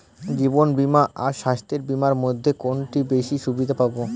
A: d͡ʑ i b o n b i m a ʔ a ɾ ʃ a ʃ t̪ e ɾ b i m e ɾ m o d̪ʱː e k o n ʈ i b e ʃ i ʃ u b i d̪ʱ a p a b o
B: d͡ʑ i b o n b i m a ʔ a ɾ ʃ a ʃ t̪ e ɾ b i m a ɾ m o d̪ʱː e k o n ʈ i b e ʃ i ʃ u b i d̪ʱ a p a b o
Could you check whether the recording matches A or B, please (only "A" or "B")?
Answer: B